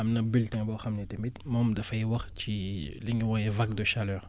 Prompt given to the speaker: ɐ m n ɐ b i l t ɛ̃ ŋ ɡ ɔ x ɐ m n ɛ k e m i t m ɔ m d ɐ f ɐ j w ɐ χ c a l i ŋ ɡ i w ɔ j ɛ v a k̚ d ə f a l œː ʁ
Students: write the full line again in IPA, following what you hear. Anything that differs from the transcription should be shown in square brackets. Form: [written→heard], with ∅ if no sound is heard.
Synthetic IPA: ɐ m n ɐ b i l t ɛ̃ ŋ [ɡ→b] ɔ x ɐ m n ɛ [k→t] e m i t m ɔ m d ɐ f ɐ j w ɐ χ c [a→i] l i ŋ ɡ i w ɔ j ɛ v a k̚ d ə [f→ʃ] a l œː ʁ